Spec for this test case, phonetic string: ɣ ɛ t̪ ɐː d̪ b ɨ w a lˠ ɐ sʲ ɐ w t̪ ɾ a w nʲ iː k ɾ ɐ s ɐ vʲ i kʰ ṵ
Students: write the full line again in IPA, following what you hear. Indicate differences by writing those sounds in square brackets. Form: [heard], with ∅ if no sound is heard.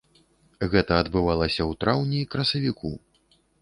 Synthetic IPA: ɣ ɛ t̪ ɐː d̪ b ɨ [v] a lˠ ɐ sʲ ɐ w t̪ ɾ a w nʲ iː k ɾ ɐ s ɐ vʲ i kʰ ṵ

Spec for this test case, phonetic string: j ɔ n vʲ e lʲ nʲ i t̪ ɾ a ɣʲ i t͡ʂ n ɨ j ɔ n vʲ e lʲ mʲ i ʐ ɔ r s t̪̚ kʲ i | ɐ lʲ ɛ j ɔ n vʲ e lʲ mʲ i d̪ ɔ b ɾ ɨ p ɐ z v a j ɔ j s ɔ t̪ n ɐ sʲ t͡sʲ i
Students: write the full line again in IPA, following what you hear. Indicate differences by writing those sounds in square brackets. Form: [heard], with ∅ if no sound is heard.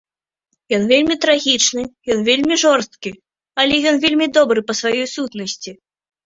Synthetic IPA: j ɔ n vʲ e lʲ [mʲ] i t̪ ɾ a ɣʲ i t͡ʂ n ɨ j ɔ n vʲ e lʲ mʲ i ʐ ɔ r s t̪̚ kʲ i | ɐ lʲ ɛ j ɔ n vʲ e lʲ mʲ i d̪ ɔ b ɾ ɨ p ɐ [s] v a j ɔ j s [u] t̪ n ɐ sʲ t͡sʲ i

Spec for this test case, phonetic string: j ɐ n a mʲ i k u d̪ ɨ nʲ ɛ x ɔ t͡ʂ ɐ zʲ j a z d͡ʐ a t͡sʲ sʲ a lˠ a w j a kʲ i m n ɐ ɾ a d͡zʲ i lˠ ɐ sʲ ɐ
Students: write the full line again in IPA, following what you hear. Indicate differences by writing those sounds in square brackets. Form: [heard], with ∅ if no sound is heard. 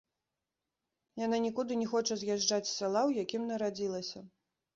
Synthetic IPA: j [a] n a [nʲ] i k u d̪ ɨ nʲ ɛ x ɔ t͡ʂ ɐ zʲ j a [ʐ] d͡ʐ a t͡sʲ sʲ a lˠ a w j a kʲ i m n ɐ ɾ a d͡zʲ i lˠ ɐ sʲ ɐ

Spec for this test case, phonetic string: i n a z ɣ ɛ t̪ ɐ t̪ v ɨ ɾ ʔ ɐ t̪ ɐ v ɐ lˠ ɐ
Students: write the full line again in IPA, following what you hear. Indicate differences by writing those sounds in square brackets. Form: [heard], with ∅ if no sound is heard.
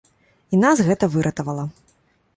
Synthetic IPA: i n a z ɣ ɛ t̪ ɐ [∅] v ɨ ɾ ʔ ɐ t̪ ɐ v ɐ lˠ ɐ

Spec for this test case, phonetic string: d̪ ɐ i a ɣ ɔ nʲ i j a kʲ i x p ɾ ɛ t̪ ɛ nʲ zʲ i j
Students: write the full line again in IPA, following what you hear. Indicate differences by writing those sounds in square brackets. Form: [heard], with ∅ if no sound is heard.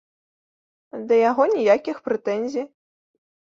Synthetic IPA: d̪ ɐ [j] a ɣ ɔ nʲ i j a kʲ i x p ɾ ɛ t̪ ɛ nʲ zʲ i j

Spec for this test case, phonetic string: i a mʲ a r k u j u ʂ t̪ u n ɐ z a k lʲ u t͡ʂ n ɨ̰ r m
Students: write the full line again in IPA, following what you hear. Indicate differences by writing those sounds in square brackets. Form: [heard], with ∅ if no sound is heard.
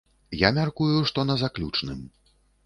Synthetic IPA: [j] a mʲ a r k u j u ʂ t̪ [ɔ] n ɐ z a k lʲ u t͡ʂ n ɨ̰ [∅] m

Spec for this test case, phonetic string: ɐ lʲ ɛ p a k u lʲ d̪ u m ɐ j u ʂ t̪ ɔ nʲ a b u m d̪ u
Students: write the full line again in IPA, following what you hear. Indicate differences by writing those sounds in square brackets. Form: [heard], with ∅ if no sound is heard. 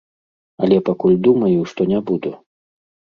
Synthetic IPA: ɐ lʲ ɛ p a k u lʲ d̪ u m ɐ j u ʂ t̪ ɔ nʲ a b u [∅] d̪ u

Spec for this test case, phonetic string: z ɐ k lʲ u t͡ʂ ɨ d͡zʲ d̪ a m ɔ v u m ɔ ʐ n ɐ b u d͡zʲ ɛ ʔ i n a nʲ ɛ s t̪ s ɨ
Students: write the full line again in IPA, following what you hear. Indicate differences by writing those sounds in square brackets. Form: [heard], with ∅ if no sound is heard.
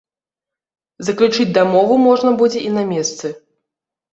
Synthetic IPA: z ɐ k lʲ u t͡ʂ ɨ d͡zʲ d̪ a m ɔ v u m ɔ ʐ n ɐ b u d͡zʲ ɛ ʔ i n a [mʲ] ɛ s t̪ s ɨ

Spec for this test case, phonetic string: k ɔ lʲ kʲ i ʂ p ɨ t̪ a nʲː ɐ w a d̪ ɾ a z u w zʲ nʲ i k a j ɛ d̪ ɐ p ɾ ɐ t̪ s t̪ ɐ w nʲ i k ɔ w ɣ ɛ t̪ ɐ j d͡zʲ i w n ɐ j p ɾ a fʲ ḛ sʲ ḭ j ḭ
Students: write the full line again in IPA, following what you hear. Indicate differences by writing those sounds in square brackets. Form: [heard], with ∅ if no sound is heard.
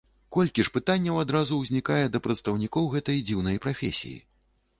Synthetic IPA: k ɔ lʲ kʲ i ʂ p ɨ t̪ a nʲː ɐ w a d̪ ɾ a z u w zʲ nʲ i k a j ɛ d̪ ɐ p ɾ ɐ t̪ s t̪ ɐ w nʲ i k ɔ w ɣ ɛ t̪ ɐ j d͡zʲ i w n ɐ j p ɾ a fʲ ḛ sʲ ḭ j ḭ

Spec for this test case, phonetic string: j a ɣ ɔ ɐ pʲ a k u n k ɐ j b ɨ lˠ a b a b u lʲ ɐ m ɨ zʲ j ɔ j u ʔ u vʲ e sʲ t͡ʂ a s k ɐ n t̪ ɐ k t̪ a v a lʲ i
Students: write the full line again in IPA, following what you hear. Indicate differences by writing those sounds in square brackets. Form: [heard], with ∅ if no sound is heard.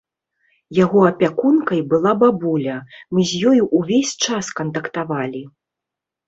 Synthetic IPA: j a ɣ ɔ ɐ pʲ a k u n k ɐ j b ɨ lˠ a b a b u lʲ ɐ m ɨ zʲ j ɔ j u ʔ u vʲ e sʲ t͡ʂ a s k ɐ n t̪ ɐ k t̪ a v a lʲ i

